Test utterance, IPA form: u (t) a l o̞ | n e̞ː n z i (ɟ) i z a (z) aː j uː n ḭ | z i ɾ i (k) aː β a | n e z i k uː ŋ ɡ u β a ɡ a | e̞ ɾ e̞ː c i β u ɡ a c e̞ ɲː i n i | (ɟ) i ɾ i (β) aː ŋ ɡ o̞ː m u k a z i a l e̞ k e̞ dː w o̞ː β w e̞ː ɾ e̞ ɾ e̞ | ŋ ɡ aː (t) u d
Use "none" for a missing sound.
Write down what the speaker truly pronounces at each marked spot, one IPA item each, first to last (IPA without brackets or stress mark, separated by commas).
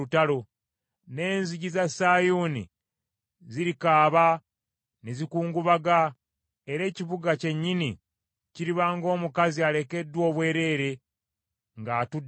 t, ɟ, s, k, c, β, t